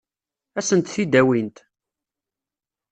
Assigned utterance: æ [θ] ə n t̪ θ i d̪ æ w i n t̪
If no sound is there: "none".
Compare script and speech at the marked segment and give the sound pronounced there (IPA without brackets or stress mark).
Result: s